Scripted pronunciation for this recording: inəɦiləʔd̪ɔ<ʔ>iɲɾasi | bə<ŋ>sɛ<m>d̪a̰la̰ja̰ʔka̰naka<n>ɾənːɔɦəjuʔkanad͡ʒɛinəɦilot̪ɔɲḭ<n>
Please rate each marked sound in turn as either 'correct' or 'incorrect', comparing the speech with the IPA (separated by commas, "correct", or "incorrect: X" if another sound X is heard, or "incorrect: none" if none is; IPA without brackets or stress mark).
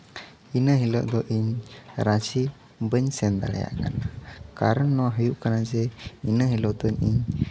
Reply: correct, incorrect: ɲ, incorrect: n, incorrect: none, incorrect: ɲ